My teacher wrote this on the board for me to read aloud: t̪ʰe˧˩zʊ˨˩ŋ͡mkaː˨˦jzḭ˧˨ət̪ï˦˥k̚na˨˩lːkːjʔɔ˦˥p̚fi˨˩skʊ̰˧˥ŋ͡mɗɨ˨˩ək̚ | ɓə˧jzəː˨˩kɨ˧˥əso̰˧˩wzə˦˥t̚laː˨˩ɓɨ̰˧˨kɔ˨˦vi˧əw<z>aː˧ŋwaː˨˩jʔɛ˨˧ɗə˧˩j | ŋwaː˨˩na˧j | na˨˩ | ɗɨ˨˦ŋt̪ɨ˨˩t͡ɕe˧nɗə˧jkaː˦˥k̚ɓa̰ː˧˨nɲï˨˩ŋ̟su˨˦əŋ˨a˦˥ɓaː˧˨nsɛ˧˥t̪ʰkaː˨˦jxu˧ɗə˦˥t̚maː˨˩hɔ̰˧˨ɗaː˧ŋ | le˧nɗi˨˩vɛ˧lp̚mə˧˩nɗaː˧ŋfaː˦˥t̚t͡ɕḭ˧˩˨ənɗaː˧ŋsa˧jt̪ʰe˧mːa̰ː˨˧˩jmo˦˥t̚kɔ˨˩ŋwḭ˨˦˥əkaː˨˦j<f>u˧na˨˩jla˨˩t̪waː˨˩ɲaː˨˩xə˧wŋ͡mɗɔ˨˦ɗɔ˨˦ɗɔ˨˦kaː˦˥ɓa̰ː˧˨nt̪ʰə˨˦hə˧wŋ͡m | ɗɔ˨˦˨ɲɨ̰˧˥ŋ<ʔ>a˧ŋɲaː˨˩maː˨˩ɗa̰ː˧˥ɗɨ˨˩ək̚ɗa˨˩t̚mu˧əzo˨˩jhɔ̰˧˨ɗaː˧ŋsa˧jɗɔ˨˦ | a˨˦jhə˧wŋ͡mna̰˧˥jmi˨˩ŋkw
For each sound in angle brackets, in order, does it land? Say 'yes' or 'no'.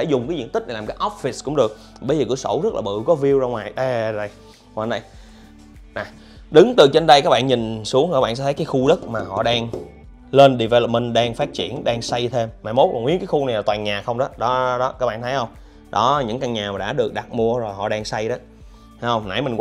yes, no, no

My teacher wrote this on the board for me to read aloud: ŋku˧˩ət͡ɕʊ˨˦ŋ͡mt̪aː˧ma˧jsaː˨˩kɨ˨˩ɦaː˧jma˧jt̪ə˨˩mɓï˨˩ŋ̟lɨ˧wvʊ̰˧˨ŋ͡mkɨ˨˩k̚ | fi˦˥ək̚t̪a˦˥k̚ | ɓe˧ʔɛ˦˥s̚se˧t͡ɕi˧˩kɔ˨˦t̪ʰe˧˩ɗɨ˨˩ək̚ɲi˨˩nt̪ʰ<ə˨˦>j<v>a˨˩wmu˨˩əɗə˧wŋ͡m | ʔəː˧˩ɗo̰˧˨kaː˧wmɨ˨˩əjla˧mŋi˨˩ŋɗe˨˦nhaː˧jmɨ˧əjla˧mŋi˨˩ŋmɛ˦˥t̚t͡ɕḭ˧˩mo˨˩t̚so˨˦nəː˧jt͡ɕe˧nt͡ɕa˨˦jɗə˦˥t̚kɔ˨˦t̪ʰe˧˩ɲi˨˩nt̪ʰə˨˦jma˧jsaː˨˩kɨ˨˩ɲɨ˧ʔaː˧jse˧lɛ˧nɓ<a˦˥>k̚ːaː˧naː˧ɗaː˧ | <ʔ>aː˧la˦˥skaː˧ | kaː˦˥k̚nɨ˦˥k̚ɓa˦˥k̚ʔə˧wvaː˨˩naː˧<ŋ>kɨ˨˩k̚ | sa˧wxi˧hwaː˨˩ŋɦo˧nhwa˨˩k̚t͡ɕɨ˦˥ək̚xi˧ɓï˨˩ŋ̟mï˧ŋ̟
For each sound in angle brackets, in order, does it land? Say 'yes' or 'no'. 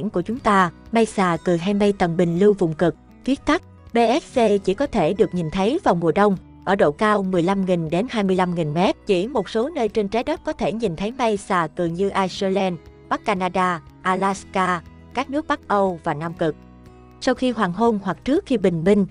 yes, yes, yes, yes, no

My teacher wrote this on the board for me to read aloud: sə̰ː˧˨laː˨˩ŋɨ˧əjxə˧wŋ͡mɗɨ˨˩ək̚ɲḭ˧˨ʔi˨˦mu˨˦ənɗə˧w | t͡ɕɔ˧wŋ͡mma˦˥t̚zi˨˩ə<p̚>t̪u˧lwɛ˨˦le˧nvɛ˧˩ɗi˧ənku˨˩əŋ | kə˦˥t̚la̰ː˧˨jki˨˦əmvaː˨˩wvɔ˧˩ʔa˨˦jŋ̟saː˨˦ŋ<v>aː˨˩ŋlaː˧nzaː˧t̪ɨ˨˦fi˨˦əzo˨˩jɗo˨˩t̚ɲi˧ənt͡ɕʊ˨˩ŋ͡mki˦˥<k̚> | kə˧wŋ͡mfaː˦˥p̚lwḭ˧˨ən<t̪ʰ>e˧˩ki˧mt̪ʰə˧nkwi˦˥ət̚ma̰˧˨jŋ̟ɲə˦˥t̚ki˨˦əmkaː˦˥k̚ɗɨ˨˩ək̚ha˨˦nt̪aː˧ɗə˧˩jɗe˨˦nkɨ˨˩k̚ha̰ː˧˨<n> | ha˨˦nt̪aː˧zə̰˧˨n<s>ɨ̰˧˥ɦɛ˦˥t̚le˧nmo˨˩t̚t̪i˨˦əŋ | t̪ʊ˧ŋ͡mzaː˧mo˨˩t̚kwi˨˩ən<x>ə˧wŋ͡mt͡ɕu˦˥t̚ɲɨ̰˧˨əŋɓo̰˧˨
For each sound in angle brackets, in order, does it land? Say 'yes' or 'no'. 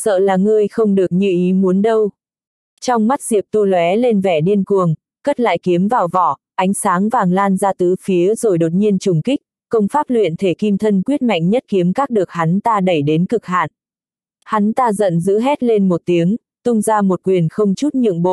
yes, yes, yes, yes, yes, no, yes

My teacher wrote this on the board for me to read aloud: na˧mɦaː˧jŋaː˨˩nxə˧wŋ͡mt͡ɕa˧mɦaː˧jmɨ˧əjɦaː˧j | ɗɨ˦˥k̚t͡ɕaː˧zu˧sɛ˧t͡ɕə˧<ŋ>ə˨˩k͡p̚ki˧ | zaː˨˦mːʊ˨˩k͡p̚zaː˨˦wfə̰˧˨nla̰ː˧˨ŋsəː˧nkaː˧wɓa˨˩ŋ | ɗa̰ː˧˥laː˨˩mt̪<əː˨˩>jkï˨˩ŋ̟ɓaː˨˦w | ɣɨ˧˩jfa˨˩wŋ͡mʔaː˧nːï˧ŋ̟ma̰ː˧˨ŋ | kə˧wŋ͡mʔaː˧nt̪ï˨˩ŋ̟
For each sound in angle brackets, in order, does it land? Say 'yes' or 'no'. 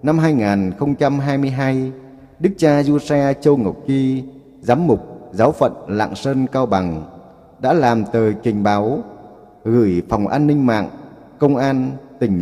yes, yes

